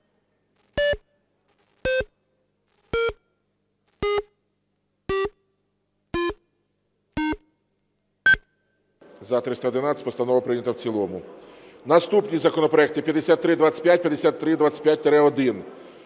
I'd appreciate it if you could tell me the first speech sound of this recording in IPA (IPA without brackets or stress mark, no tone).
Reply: z